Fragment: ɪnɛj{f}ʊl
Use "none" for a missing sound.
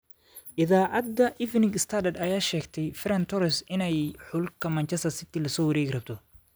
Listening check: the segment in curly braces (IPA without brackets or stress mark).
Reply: ħ